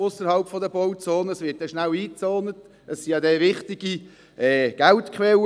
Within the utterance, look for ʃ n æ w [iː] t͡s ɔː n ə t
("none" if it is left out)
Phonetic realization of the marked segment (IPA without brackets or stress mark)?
iː